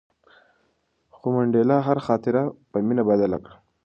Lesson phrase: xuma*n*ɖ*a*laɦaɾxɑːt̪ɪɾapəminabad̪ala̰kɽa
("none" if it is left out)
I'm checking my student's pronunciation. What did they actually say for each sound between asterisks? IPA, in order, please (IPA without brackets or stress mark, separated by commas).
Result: ɳ, e